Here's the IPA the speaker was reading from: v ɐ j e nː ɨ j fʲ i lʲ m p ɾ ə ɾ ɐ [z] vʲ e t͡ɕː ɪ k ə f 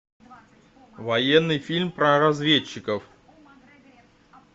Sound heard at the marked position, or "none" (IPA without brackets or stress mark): z